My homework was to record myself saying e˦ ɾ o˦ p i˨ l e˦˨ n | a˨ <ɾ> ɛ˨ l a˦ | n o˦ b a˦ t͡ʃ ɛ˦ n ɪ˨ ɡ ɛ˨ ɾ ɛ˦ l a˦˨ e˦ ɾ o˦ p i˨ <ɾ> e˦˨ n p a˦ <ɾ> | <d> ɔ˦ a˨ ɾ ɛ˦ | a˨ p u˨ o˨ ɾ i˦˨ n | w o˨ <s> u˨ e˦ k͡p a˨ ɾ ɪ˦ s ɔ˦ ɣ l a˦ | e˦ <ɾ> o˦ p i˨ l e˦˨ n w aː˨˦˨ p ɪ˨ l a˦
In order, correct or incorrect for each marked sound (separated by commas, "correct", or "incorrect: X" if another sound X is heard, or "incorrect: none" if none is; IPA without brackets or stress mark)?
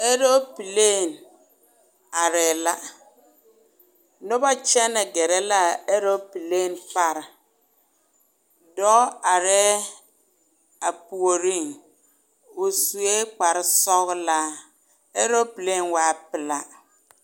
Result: correct, incorrect: l, correct, correct, correct, correct